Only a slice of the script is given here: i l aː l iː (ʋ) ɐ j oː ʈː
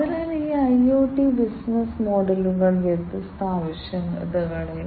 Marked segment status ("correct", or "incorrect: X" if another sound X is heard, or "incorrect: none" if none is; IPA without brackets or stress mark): incorrect: none